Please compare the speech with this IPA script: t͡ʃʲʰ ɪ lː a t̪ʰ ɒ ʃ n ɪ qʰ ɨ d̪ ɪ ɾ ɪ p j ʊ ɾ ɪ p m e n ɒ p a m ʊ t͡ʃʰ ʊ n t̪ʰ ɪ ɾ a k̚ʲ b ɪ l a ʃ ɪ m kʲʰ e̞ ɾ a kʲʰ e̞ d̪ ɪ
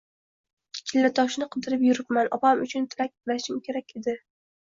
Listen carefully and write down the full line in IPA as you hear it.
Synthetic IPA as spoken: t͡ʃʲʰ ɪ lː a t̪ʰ ɒ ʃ n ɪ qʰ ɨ d̪ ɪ ɾ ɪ p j ʊ ɾ ɪ p m a n ɒ p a m ʊ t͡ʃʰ ʊ n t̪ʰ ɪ ɾ a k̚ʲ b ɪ l a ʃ ɪ m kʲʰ e̞ ɾ a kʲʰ e̞ d̪ ɪ